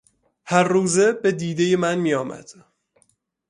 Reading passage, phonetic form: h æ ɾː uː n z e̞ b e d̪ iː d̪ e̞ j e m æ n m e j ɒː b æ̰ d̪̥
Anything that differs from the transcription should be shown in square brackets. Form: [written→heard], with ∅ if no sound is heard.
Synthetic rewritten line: h æ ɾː uː [n→∅] z e̞ b e d̪ iː d̪ e̞ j e m æ n m [e→i] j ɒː [b→m] æ̰ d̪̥